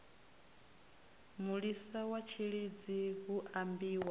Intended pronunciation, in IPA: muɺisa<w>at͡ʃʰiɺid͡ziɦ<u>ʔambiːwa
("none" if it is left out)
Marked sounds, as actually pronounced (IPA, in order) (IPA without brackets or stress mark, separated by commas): w, u